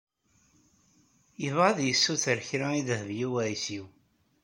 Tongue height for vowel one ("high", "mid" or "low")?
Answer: mid